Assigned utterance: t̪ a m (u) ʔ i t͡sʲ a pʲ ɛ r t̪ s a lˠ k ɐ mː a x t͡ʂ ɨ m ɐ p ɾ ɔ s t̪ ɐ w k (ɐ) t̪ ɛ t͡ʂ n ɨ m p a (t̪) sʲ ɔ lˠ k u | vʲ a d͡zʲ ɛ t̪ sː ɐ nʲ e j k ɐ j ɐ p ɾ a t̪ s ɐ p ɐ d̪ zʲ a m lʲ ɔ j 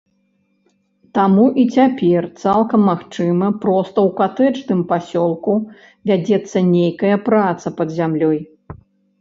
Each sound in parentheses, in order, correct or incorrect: correct, incorrect: a, incorrect: none

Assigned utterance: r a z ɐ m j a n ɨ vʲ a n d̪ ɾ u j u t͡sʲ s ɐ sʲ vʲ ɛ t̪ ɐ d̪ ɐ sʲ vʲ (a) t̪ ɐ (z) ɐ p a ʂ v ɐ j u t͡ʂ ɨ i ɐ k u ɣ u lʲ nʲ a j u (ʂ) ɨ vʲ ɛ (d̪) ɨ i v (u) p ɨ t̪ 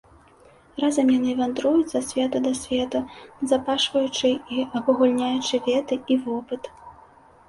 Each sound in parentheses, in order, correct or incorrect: incorrect: ɛ, correct, incorrect: t͡ʂ, incorrect: t̪, incorrect: ɔ

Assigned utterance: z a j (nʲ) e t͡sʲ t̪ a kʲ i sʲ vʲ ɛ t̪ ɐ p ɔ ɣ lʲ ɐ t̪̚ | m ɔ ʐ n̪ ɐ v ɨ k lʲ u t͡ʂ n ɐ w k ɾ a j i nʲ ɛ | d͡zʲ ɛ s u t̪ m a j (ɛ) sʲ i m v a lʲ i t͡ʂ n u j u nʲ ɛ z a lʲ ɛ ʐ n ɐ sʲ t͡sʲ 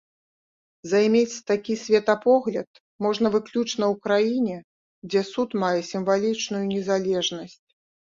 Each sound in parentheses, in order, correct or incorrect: incorrect: mʲ, correct

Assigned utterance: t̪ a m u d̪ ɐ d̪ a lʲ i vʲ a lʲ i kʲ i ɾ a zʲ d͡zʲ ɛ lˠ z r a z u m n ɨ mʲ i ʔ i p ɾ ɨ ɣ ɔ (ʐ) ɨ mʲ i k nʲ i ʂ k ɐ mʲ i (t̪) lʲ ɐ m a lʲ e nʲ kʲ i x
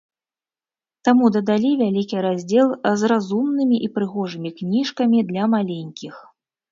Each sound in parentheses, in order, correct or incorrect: correct, incorrect: d̪

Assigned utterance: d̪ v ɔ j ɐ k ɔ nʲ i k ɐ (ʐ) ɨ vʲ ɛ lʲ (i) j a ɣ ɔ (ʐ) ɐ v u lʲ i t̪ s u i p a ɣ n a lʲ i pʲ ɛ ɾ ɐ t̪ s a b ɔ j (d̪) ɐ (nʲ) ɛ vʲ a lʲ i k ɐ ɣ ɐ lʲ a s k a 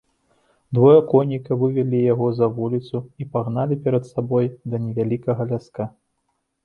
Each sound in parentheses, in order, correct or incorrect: incorrect: v, correct, incorrect: z, correct, correct

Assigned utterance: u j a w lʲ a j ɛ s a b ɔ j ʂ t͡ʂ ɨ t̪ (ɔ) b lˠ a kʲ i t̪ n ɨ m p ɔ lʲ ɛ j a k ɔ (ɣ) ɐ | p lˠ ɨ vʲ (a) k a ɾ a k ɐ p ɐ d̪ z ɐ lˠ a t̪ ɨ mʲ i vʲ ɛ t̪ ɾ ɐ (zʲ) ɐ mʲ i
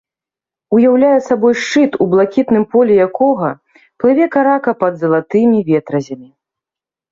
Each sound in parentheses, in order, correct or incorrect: incorrect: u, correct, incorrect: ɛ, correct

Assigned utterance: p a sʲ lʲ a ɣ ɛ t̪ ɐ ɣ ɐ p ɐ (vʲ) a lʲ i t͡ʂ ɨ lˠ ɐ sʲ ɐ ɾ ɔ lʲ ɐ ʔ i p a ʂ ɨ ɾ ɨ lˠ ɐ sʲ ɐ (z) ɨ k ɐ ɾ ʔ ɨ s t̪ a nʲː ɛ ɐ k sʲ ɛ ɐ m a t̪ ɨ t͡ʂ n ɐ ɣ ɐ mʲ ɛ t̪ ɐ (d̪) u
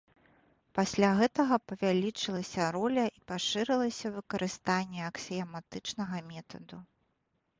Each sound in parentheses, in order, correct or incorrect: correct, incorrect: v, correct

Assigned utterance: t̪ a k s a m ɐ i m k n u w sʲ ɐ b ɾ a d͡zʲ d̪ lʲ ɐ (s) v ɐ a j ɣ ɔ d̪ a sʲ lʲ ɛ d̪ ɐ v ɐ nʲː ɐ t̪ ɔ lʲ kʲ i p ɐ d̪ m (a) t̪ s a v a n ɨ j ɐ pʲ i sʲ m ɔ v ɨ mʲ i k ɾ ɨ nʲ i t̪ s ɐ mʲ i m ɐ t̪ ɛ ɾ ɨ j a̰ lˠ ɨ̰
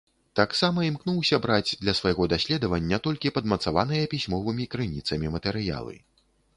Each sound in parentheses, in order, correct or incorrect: correct, incorrect: ɐ

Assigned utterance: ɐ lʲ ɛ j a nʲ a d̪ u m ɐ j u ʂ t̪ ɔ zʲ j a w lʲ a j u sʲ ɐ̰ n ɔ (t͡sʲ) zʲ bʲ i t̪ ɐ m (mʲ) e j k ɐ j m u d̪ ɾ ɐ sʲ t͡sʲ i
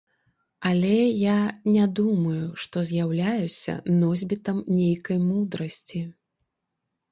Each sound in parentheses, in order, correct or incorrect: incorrect: none, incorrect: nʲ

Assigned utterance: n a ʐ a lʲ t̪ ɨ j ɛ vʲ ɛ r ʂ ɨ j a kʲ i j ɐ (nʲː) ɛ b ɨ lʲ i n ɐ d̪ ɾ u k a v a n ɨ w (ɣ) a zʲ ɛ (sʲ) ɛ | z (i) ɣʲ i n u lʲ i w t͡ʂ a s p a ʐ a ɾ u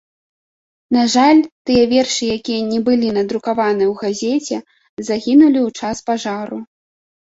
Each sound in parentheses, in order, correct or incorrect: incorrect: nʲ, correct, incorrect: t͡sʲ, incorrect: a

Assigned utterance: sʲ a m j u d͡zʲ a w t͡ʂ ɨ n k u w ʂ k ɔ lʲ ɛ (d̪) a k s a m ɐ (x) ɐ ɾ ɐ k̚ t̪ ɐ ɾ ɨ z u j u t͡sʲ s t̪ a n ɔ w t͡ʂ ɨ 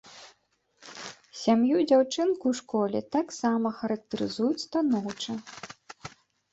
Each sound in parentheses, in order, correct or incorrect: incorrect: t̪, correct

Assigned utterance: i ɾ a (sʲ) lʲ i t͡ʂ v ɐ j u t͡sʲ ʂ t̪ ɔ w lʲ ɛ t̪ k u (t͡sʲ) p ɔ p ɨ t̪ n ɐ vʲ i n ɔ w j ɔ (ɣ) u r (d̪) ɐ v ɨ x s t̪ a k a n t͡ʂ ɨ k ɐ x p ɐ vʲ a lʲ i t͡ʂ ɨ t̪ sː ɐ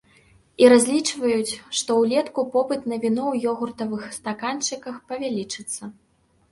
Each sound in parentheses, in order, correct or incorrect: incorrect: zʲ, incorrect: none, correct, incorrect: t̪

